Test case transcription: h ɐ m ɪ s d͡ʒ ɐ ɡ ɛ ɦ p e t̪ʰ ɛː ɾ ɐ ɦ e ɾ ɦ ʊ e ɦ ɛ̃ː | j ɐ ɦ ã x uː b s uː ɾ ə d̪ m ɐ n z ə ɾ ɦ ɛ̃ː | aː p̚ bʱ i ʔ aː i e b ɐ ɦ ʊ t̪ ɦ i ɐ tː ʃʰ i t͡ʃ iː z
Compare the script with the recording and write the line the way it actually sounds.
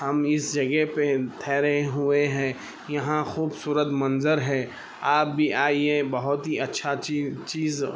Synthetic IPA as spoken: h ɐ m ɪ s d͡ʒ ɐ ɡ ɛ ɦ p e t̪ʰ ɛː ɾ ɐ ɦ e ɦ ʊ e ɦ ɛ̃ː | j ɐ ɦ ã x uː b s uː ɾ ə t̪ m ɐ n z ə ɾ ɦ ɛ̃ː | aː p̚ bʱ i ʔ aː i e b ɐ ɦ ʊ t̪ ɦ i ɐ tː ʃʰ a t͡ʃ iː z